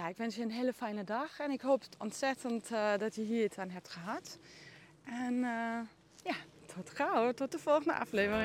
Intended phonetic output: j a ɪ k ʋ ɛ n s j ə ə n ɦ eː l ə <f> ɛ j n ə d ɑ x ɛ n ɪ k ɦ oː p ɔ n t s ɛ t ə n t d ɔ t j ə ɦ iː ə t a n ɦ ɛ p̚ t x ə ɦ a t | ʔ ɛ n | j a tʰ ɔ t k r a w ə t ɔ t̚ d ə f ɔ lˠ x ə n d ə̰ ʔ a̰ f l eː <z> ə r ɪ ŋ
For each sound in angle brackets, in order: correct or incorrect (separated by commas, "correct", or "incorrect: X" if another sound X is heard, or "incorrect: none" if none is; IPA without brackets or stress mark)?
correct, incorrect: v